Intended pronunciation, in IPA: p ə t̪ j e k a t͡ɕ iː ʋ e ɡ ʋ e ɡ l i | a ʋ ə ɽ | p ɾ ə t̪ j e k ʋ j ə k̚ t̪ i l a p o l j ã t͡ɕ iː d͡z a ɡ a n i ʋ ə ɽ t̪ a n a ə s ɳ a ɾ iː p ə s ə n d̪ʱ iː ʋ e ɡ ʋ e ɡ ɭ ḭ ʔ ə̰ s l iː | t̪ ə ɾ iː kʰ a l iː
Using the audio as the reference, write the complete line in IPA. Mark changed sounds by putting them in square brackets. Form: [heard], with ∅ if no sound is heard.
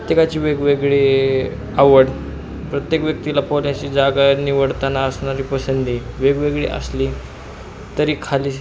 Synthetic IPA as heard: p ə t̪ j e k a t͡ɕ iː ʋ e ɡ ʋ e ɡ [ɭ] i | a ʋ ə ɽ | p ɾ ə t̪ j e k ʋ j ə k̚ t̪ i l a p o l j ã t͡ɕ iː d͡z a ɡ a n i ʋ ə ɽ t̪ a n a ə s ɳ a ɾ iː p ə s ə n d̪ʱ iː ʋ e ɡ ʋ e ɡ ɭ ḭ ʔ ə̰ s l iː | t̪ ə ɾ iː kʰ a l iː